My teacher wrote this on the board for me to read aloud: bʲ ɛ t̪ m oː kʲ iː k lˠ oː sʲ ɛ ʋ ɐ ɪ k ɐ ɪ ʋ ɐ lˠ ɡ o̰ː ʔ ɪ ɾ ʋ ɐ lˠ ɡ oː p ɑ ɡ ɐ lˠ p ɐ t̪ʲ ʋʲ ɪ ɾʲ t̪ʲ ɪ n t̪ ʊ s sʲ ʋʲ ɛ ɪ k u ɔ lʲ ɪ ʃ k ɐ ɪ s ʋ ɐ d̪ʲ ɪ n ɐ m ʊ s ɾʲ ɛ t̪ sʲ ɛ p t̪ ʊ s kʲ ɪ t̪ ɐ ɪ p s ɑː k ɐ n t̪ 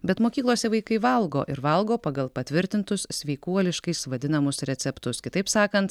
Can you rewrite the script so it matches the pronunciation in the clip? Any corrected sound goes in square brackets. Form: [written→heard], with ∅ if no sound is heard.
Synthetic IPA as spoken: bʲ ɛ t̪ m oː kʲ iː k lˠ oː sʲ ɛ ʋ ɐ ɪ k ɐ ɪ ʋ ɐ lˠ ɡ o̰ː ʔ ɪ ɾ ʋ ɐ lˠ ɡ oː p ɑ ɡ ɐ lˠ p ɐ t̪ʲ ʋʲ ɪ ɾʲ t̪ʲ ɪ n t̪ ʊ s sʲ ʋʲ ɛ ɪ k u ɔ lʲ ɪ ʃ k ɐ ɪ s ʋ ɐ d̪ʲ ɪ n ɐ m ʊ s ɾʲ ɛ t̪ sʲ ɛ p t̪ ʊ s kʲ ɪ t̪ ɐ ɪ p s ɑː k ɐ n t̪